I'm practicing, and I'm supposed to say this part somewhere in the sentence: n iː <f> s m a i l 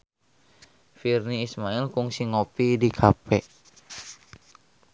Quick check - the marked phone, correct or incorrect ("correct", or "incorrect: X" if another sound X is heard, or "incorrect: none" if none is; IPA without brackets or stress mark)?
incorrect: none